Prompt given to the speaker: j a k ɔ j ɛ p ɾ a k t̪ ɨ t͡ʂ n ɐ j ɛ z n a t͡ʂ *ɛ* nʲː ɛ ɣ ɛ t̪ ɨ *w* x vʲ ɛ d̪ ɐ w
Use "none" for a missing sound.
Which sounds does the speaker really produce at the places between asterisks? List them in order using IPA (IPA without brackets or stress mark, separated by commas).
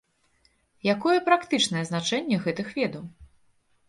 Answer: ɛ, none